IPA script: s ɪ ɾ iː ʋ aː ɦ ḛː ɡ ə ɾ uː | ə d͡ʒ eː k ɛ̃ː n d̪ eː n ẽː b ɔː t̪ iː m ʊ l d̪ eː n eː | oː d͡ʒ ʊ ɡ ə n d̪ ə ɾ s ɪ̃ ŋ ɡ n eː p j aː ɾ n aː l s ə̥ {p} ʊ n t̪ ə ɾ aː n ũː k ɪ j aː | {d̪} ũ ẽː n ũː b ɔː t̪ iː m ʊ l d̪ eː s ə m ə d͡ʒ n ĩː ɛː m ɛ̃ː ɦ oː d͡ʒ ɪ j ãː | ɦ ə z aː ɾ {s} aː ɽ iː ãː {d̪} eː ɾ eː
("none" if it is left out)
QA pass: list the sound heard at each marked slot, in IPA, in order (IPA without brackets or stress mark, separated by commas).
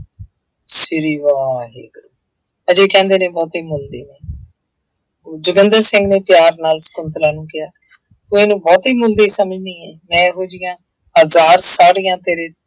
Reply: k, t̪, s, t̪